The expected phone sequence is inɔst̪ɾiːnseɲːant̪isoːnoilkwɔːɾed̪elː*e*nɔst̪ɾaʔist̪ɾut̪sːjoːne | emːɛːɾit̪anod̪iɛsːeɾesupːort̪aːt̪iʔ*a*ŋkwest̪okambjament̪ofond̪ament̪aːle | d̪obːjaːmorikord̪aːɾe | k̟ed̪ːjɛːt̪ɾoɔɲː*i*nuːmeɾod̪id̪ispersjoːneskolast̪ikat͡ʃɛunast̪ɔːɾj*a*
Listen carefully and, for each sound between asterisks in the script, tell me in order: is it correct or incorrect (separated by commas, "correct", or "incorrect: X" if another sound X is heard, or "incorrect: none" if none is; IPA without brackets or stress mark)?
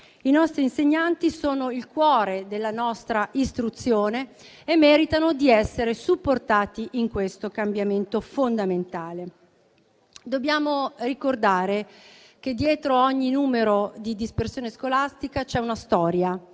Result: incorrect: a, incorrect: i, correct, correct